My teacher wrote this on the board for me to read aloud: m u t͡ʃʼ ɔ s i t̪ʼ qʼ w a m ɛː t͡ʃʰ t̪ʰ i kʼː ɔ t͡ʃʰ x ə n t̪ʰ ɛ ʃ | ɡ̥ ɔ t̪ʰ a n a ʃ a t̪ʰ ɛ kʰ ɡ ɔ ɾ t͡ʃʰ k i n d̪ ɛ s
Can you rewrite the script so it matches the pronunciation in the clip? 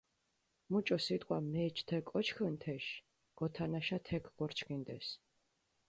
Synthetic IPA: m u t͡ʃʼ ɔ s i t̪ʼ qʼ w a m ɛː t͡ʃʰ t̪ʰ ɛ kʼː ɔ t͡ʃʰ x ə n t̪ʰ ɛ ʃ | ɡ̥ ɔ t̪ʰ a n a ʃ a t̪ʰ ɛ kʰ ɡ ɔ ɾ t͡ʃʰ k i n d̪ ɛ s